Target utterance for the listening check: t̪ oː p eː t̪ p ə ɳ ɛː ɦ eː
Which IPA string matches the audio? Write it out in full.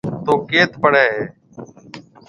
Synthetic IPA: t̪ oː k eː t̪ p ə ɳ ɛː ɦ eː